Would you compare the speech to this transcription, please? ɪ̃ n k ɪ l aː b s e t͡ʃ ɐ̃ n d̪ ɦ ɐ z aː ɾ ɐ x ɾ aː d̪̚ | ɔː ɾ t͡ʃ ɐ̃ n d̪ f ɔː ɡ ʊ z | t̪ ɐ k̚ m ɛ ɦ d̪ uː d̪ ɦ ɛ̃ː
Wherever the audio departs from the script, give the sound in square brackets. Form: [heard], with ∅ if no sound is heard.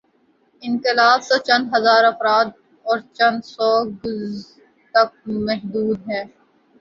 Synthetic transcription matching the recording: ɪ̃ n k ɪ l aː b s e t͡ʃ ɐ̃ n d̪ ɦ ɐ z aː ɾ ɐ [f] ɾ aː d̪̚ | ɔː ɾ t͡ʃ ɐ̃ n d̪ [s] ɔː ɡ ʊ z | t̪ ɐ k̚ m ɛ ɦ d̪ uː d̪ ɦ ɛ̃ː